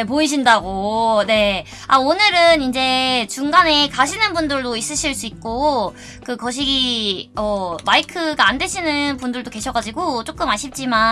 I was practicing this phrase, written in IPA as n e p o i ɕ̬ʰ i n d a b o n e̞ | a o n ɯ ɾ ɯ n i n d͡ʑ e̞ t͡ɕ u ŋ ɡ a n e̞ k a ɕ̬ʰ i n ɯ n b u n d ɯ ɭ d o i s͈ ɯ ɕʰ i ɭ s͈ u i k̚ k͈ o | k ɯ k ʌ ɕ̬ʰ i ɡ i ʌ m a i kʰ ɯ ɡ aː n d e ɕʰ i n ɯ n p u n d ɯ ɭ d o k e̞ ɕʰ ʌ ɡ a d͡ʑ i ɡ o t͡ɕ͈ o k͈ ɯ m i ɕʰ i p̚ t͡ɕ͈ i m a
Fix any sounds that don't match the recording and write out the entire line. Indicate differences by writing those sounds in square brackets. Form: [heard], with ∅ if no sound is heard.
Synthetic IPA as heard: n e p o i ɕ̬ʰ i n d a [ɡ] o n e̞ | a o n ɯ ɾ ɯ n i n d͡ʑ e̞ t͡ɕ u ŋ ɡ a n e̞ k a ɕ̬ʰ i n ɯ n b u n d ɯ ɭ d o i s͈ ɯ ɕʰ i ɭ s͈ u i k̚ k͈ o | k ɯ k ʌ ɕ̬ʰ i ɡ i ʌ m a i kʰ ɯ ɡ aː n d e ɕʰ i n ɯ n p u n d ɯ ɭ d o k e̞ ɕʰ ʌ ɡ a d͡ʑ i ɡ o t͡ɕ͈ o k͈ ɯ m [a] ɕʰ i p̚ t͡ɕ͈ i m a

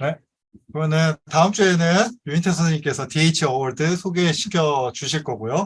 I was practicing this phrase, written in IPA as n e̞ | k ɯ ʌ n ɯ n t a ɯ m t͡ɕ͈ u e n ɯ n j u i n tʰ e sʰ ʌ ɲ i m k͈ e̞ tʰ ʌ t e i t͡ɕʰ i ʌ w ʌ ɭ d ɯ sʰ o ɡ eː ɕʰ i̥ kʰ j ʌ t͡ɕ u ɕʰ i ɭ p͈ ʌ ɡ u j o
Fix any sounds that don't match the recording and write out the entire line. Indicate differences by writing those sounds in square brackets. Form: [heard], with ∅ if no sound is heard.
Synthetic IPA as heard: n e̞ | k ɯ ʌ n ɯ n t a ɯ m t͡ɕ͈ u e n ɯ n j u i n tʰ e sʰ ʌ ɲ i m k͈ e̞ [sʰ] ʌ t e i t͡ɕʰ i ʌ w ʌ ɭ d ɯ sʰ o ɡ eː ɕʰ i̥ kʰ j ʌ t͡ɕ u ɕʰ i ɭ [k͈] ʌ ɡ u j o

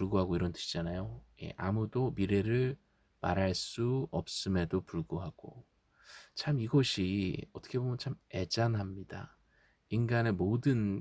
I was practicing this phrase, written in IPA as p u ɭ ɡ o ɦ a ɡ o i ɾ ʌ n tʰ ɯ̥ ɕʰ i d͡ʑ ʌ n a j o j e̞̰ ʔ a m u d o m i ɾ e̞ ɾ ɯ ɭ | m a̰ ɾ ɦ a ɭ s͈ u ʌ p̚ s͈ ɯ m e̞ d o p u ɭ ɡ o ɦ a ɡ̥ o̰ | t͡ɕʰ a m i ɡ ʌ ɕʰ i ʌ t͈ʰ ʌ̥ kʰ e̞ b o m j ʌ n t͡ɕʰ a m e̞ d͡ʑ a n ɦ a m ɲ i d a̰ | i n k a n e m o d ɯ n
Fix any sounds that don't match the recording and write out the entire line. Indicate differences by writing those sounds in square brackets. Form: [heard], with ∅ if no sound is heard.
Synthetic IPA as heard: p u ɭ ɡ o ɦ a ɡ o i ɾ ʌ n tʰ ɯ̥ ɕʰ i d͡ʑ [a] n a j o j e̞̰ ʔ a m u d o m i ɾ e̞ ɾ ɯ ɭ | m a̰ ɾ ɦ a ɭ s͈ u ʌ p̚ s͈ ɯ m e̞ d o p u ɭ ɡ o ɦ a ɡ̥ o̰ | t͡ɕʰ a m i ɡ ʌ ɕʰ i ʌ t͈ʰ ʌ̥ kʰ e̞ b o m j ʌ n t͡ɕʰ a m e̞ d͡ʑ a n ɦ a m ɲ i d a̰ | i n [ɡ] a n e m o d ɯ n

